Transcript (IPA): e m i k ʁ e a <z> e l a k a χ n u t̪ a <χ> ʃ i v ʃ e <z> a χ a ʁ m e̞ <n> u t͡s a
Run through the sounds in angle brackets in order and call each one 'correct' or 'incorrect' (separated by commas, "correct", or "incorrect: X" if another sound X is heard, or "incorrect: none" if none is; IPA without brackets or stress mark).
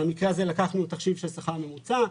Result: correct, correct, incorrect: s, incorrect: m